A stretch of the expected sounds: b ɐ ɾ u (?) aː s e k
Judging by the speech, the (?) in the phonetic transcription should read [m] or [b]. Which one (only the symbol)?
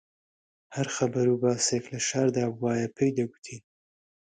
b